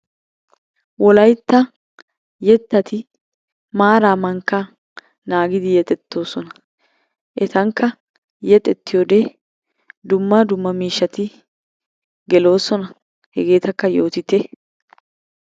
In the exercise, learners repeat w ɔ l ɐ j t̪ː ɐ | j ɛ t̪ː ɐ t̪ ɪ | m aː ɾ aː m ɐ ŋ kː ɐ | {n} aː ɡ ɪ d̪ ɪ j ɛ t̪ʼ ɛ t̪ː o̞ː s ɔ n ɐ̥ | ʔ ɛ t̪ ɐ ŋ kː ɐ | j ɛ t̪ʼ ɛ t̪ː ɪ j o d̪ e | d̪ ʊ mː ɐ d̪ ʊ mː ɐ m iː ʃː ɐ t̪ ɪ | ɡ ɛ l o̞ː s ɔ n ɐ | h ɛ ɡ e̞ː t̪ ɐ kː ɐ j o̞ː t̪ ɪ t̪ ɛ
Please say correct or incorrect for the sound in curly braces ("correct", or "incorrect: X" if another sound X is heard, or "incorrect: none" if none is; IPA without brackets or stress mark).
correct